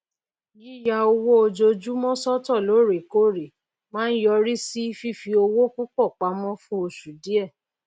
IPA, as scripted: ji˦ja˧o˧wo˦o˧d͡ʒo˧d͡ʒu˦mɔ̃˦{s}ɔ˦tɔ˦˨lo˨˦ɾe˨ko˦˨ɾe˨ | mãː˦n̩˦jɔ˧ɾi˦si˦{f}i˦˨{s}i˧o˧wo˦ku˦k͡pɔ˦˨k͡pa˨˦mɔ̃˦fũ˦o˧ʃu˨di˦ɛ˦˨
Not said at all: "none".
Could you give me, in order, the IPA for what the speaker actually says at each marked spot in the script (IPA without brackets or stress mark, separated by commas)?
s, f, f